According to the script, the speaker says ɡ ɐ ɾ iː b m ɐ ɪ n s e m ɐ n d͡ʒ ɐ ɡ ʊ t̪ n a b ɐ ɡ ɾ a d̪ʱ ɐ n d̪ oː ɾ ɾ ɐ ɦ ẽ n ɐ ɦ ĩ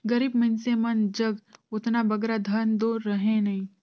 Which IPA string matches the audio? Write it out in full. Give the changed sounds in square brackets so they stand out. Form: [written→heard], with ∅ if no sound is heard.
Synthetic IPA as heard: ɡ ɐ ɾ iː b m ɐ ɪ n s e m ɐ n d͡ʒ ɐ ɡ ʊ t̪ n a b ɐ ɡ ɾ a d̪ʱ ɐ n d̪ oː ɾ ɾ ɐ ɦ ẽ n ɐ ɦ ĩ